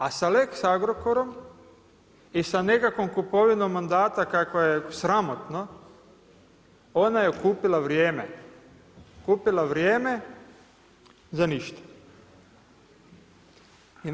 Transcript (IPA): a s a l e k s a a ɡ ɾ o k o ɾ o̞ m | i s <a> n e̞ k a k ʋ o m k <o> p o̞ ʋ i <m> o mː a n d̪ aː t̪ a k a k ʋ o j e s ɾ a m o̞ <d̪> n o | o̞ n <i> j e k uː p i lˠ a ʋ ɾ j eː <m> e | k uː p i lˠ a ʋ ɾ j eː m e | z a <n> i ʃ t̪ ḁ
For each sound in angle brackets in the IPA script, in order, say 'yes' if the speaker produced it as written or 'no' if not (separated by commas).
yes, no, no, no, no, yes, yes